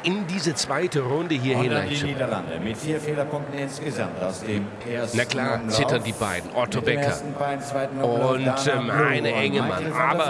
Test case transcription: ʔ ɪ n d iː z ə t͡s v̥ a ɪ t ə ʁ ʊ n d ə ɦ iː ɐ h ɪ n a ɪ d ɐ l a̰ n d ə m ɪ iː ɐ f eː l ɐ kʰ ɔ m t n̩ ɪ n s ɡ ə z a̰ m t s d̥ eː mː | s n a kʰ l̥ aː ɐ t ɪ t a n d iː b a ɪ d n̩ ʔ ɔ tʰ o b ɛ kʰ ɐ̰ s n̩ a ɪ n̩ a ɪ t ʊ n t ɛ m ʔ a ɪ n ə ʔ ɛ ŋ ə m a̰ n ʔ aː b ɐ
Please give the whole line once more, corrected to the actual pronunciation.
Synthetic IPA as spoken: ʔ ɪ n d iː z ə t͡s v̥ a ɪ t ə ʁ ʊ n d ə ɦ iː ɐ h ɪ n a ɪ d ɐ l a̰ n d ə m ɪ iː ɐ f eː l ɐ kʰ ɔ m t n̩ ɪ n s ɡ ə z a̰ m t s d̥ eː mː | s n a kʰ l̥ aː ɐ t͡s ɪ t ɐ n d iː b a ɪ d n̩ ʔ ɔ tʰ o b ɛ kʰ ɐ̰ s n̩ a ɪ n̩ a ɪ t ʊ n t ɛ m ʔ a ɪ n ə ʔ ɛ ŋ ə m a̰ n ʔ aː b ɐ